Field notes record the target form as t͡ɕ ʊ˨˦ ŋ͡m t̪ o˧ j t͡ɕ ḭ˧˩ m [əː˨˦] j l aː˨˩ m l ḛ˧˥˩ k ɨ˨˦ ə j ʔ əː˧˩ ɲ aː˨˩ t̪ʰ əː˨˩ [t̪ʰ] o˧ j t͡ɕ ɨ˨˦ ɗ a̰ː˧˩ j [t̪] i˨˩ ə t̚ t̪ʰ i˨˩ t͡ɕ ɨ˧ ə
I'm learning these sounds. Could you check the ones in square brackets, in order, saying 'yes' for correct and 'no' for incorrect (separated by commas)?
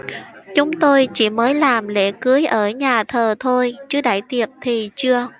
yes, yes, yes